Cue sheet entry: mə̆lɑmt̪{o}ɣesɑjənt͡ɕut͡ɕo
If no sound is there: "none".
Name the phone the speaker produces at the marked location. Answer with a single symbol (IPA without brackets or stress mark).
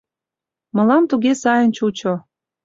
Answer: u